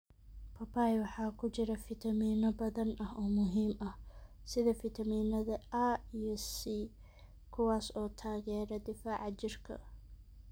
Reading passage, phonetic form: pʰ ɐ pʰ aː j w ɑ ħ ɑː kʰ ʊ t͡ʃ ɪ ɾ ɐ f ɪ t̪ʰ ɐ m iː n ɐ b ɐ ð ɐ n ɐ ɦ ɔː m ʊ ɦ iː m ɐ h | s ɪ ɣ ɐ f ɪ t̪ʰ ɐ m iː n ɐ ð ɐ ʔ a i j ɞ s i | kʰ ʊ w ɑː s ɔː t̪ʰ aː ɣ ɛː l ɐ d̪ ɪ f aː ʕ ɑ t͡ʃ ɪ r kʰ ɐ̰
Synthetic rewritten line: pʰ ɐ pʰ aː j w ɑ ħ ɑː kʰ ʊ t͡ʃ ɪ ɾ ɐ f ɪ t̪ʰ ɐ m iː n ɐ b ɐ ð ɐ n ɐ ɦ ɔː m ʊ ɦ iː m ɐ h | s ɪ ð ɐ f ɪ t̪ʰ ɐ m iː n ɐ ð ɐ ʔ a i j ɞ s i | kʰ ʊ w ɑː s ɔː t̪ʰ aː ɣ ɛː ɾ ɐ d̪ ɪ f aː ʕ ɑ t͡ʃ ɪ r kʰ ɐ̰